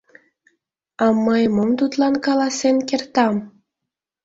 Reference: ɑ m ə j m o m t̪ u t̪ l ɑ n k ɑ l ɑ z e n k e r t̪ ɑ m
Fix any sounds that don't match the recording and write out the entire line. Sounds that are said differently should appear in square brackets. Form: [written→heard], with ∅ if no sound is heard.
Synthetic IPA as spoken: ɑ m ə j m o m t̪ u t̪ l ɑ n k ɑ l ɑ [z→s] e n k e r t̪ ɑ m